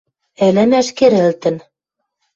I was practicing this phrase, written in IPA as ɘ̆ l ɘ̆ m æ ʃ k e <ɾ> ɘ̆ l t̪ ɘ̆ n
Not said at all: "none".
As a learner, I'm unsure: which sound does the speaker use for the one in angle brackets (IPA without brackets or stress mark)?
ɾ